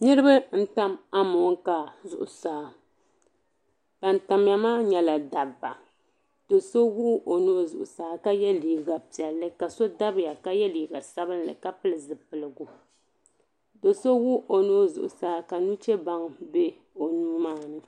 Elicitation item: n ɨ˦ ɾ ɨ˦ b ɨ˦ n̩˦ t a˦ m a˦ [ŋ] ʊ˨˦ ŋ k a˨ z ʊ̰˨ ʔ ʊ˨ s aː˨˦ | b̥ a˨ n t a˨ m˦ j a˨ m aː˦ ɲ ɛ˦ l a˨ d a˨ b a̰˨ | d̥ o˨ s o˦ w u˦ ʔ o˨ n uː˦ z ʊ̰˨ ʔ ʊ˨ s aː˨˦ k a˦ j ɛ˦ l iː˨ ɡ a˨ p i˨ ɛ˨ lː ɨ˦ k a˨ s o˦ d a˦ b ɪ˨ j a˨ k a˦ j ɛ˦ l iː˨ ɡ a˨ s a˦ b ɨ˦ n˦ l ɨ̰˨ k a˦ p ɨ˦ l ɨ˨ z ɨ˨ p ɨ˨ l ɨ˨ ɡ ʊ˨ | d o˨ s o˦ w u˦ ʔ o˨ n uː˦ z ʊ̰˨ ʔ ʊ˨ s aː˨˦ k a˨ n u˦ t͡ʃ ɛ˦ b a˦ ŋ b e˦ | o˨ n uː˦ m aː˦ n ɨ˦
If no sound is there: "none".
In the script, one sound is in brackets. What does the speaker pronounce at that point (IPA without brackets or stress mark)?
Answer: m